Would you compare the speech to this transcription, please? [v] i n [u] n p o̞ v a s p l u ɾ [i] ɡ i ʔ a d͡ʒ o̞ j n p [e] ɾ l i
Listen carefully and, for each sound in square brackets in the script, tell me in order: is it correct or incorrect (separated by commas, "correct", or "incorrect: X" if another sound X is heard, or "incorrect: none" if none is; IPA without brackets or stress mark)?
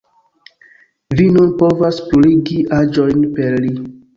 correct, correct, correct, correct